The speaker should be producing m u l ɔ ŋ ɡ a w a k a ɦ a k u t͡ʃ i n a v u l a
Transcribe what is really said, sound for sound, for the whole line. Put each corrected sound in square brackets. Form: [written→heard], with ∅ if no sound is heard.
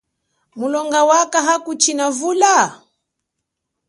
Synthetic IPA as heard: m u l ɔ ŋ ɡ a w a k a ɦ a k u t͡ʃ i n a v u l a